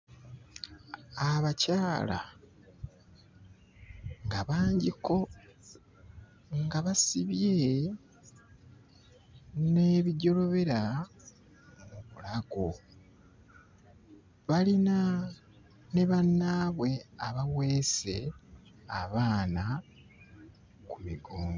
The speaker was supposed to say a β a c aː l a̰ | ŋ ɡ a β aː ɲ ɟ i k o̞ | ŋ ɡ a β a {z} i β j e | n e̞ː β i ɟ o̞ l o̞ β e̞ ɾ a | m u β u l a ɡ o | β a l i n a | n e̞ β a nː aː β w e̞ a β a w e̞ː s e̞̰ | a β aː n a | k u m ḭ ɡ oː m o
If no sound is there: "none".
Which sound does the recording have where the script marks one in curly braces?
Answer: s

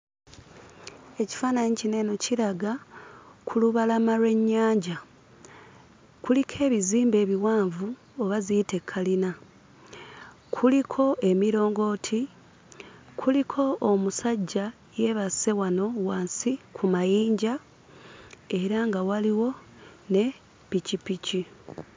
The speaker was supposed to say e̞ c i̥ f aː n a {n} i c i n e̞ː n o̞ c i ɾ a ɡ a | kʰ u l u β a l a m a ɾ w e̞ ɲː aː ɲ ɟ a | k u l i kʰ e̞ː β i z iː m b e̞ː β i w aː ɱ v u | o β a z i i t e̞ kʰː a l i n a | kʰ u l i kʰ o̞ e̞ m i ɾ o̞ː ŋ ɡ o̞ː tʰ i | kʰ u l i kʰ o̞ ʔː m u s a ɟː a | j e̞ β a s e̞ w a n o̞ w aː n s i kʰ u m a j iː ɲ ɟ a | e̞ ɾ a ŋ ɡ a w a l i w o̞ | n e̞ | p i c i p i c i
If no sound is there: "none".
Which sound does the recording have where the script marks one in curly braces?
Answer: ɲ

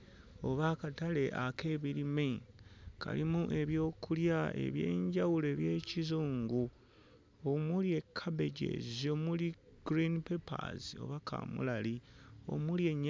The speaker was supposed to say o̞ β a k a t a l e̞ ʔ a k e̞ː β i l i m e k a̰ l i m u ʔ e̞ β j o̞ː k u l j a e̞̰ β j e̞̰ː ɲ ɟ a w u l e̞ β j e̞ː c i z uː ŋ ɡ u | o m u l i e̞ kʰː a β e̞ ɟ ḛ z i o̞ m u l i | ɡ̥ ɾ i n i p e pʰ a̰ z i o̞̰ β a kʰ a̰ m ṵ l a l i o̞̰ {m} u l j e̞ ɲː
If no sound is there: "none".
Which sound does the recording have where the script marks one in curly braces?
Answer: m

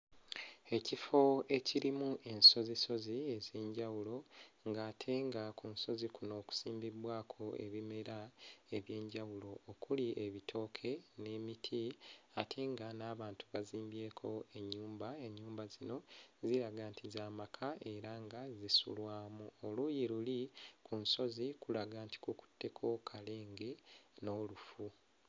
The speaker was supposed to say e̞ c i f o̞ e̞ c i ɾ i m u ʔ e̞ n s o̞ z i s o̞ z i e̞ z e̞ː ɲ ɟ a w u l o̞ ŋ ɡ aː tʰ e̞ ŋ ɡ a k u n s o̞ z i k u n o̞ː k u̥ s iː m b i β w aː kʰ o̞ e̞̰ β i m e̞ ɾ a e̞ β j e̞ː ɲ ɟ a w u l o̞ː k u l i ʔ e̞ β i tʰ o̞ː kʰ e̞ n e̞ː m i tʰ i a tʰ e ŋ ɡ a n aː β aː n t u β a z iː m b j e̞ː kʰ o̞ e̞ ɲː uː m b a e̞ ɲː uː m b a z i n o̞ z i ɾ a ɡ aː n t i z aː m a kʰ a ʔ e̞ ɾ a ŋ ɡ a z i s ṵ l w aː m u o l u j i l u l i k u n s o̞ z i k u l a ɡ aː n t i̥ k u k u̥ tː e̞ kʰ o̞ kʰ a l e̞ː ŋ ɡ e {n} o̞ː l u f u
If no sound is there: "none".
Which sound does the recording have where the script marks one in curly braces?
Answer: n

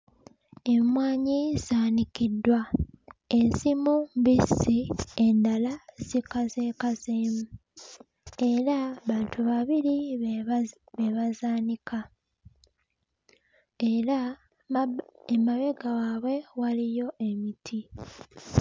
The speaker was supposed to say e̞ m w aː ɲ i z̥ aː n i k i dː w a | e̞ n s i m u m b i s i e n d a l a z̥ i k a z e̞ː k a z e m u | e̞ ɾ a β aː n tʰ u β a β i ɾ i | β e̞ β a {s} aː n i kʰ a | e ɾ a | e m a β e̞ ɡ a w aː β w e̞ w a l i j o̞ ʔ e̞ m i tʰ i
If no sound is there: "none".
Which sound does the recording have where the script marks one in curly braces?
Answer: z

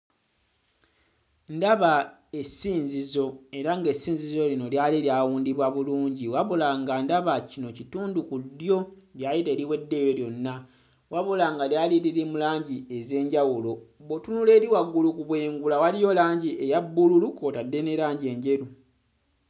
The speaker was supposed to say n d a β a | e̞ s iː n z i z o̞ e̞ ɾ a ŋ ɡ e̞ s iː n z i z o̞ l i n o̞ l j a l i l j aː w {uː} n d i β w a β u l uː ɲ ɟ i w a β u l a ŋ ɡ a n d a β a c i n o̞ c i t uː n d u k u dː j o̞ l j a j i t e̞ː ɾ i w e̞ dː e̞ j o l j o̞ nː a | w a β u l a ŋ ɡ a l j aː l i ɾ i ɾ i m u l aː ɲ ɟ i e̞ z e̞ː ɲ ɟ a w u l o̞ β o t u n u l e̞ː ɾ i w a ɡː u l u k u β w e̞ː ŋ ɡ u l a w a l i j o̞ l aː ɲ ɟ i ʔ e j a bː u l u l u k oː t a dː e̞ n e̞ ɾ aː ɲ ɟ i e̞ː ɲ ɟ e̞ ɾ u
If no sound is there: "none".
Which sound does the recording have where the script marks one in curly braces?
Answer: uː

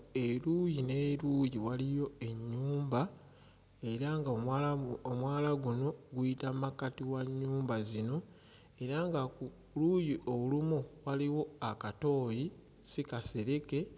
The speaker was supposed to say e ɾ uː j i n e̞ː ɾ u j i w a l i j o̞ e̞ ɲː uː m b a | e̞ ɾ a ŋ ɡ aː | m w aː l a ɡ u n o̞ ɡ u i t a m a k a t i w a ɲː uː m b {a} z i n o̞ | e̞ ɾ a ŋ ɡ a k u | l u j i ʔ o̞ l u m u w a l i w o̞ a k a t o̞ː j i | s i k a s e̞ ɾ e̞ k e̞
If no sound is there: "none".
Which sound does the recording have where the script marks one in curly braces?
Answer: a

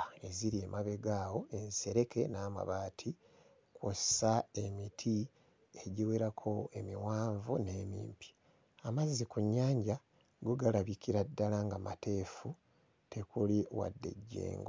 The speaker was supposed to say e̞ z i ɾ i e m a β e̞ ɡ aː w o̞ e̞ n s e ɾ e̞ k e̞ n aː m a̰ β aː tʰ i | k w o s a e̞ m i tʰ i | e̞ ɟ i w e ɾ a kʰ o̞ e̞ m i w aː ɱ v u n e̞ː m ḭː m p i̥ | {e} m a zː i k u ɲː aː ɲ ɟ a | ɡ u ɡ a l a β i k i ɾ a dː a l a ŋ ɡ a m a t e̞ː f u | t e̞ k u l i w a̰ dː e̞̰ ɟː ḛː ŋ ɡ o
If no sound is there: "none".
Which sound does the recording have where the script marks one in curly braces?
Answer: a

